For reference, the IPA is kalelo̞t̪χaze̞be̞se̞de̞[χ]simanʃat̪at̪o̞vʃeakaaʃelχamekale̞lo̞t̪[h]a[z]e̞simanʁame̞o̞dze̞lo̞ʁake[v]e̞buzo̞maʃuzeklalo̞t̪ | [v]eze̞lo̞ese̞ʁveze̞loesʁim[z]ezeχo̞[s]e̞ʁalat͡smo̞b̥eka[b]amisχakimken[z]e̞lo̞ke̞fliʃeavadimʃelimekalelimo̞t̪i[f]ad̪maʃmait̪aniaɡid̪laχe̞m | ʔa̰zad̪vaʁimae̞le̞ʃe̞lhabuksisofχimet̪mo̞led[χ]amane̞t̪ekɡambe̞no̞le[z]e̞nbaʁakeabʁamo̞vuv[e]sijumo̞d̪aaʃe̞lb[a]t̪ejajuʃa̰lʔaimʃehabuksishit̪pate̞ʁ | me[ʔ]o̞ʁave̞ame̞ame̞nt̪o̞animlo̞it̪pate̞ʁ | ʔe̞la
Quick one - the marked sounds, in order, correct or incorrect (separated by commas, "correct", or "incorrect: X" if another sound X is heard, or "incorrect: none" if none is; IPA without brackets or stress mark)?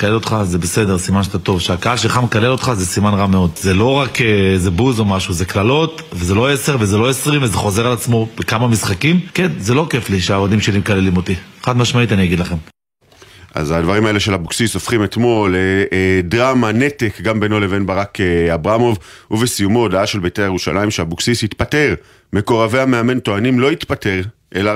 incorrect: ʁ, incorrect: χ, correct, incorrect: z, correct, incorrect: v, incorrect: z, incorrect: m, correct, incorrect: χ, incorrect: ʁ, incorrect: v, correct, incorrect: e, incorrect: k